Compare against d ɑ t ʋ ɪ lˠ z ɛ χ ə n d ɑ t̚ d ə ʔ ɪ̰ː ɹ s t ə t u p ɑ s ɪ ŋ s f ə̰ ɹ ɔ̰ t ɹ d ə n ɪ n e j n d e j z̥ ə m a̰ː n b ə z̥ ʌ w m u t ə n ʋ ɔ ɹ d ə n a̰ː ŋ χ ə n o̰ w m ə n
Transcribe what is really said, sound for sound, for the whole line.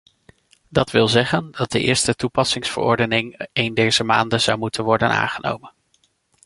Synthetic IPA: d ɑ t ʋ ɪ lˠ z ɛ χ ə n d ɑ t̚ d ə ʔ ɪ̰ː ɹ s t ə t u p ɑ s ɪ ŋ s f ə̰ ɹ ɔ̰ ɹ d ə n ɪ ŋ e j n d e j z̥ ə m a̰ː n d ə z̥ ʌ w m u t ə n ʋ ɔ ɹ d ə n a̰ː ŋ χ ə n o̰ w m ə n